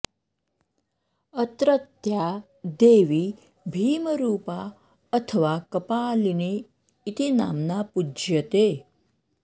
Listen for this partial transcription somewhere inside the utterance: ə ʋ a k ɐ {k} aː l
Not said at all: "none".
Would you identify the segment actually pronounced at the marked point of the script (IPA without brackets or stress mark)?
p